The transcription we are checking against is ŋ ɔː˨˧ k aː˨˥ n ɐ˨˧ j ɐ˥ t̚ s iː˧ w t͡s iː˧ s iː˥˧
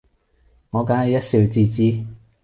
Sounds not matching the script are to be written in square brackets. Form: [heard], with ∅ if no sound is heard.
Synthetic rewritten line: ŋ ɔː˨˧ k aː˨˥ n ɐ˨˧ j ɐ˥ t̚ s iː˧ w t͡s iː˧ [t͡s] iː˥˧